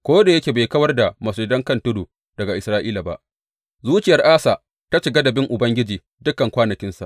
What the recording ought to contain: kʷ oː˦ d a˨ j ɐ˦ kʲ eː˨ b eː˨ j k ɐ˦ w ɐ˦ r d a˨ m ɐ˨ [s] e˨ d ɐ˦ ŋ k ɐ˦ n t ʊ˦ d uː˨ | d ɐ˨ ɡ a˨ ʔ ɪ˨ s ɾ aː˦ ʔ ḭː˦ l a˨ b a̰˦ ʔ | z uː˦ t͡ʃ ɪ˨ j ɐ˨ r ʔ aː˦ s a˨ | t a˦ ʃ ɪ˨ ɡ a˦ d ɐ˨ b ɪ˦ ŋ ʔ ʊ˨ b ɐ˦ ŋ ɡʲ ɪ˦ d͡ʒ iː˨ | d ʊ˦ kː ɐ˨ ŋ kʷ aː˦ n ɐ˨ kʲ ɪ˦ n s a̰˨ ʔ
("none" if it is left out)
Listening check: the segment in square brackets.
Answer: s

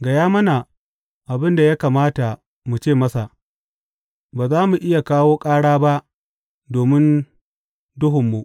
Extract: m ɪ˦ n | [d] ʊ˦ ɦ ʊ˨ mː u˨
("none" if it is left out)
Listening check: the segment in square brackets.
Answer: d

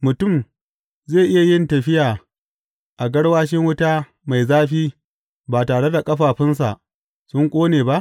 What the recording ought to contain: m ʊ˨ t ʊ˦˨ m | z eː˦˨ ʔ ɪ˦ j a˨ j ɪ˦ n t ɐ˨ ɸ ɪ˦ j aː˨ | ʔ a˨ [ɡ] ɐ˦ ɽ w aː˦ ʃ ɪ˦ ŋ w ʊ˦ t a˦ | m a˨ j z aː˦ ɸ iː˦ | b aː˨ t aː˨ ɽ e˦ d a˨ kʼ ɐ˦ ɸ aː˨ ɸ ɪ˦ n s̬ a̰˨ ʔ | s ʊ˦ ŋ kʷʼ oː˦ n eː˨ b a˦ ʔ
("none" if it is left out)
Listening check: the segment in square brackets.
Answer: ɡ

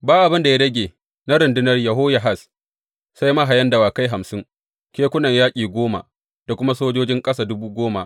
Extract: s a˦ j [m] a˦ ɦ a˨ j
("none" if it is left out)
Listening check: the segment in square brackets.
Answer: m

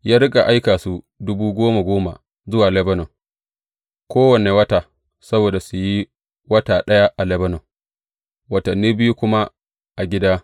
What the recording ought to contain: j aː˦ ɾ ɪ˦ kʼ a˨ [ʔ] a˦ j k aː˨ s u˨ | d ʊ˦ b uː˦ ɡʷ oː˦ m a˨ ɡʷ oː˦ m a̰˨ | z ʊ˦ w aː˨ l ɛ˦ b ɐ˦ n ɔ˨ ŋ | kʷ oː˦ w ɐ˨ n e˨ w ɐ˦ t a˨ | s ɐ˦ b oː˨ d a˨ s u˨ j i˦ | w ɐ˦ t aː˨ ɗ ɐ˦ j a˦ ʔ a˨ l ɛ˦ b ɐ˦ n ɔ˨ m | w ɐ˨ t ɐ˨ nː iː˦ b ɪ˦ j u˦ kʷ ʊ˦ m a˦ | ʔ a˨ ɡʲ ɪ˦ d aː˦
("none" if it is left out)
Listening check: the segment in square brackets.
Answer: ʔ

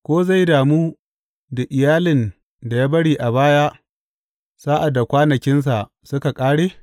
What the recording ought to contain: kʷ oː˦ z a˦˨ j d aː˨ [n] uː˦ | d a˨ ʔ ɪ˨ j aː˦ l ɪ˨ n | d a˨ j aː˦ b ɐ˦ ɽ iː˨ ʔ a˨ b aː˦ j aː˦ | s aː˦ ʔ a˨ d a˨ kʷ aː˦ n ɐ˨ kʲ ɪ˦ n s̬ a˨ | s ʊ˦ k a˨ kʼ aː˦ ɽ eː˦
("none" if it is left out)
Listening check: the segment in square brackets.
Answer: m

